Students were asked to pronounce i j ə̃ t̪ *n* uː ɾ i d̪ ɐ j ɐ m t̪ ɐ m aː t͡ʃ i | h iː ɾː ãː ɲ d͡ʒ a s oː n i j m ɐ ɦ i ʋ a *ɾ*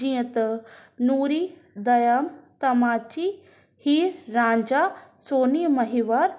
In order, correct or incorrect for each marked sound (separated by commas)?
correct, correct